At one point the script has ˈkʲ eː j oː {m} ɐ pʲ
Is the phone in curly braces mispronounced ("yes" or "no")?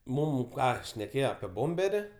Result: yes